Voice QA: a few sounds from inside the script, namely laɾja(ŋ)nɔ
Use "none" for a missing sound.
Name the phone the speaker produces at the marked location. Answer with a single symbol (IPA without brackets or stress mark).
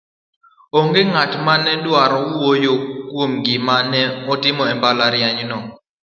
ɲ